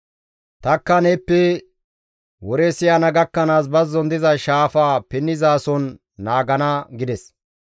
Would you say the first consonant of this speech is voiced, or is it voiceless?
voiceless